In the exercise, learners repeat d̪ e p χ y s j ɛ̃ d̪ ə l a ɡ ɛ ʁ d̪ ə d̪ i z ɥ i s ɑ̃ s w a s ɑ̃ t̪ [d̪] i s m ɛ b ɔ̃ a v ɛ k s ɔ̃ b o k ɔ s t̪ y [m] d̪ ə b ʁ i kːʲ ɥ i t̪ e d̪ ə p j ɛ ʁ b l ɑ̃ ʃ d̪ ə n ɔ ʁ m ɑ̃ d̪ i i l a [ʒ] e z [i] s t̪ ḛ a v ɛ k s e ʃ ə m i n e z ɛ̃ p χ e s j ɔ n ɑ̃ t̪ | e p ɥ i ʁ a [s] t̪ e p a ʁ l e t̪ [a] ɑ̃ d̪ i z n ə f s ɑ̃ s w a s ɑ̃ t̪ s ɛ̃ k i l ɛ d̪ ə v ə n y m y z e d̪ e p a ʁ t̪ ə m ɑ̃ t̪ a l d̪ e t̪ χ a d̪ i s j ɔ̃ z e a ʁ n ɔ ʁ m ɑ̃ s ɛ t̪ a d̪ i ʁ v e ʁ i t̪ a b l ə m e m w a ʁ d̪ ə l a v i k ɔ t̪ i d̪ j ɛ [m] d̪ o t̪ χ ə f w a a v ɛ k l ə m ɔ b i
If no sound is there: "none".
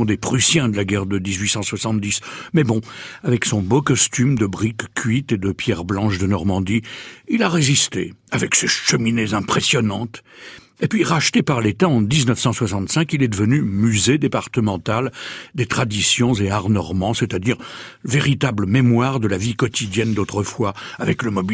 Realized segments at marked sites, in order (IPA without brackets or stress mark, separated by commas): d̪, m, ʁ, i, ʃ, a, n